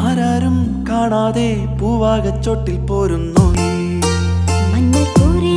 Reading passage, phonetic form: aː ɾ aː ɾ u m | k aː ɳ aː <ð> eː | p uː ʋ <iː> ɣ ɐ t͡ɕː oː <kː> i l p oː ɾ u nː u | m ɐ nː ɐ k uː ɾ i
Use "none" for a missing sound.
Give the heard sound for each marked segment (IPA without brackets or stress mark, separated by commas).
ð, aː, ʈː